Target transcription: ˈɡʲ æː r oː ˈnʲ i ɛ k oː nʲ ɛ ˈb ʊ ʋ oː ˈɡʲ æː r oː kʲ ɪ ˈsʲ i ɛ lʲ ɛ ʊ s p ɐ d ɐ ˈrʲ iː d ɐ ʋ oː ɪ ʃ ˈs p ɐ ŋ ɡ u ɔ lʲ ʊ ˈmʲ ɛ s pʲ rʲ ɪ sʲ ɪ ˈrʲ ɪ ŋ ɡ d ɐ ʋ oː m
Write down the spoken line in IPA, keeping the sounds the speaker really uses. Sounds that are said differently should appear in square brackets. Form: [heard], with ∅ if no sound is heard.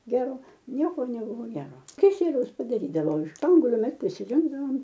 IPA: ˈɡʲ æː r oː ˈnʲ i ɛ k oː nʲ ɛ ˈb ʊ ʋ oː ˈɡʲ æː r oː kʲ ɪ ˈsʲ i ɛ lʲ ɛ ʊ s p ɐ d ɐ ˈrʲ iː d ɐ ʋ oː ɪ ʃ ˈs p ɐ ŋ ɡ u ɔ lʲ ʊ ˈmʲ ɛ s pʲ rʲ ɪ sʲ ɪ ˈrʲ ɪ ŋ ɡ d ɐ ʋ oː m